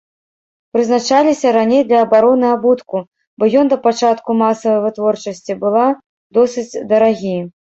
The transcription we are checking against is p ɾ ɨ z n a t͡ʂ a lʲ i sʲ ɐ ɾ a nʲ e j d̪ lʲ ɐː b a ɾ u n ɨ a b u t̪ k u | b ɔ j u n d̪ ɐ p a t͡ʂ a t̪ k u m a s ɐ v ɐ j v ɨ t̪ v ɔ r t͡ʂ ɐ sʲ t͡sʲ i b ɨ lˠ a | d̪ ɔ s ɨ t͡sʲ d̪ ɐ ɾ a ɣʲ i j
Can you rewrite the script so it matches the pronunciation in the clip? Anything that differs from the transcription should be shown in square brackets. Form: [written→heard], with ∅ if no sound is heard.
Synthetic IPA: p ɾ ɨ z n a t͡ʂ a lʲ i sʲ ɐ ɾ a nʲ e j d̪ lʲ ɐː b a ɾ [u→ɔ] n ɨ a b u t̪ k u | b ɔ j [u→ɔ] n d̪ ɐ p a t͡ʂ a t̪ k u m a s ɐ v ɐ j v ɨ t̪ v ɔ r t͡ʂ ɐ sʲ t͡sʲ i b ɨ lˠ a | d̪ ɔ s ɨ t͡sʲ d̪ ɐ ɾ a ɣʲ i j